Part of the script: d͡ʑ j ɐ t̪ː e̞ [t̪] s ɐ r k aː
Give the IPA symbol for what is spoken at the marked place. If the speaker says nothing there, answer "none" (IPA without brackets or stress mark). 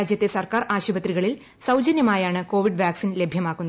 none